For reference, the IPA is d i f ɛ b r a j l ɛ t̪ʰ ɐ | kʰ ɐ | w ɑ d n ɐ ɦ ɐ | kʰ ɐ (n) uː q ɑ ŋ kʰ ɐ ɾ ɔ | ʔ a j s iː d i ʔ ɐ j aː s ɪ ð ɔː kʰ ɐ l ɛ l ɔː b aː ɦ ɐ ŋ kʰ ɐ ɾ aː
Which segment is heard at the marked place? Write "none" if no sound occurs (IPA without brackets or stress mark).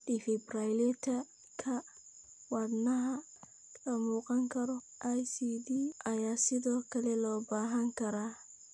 m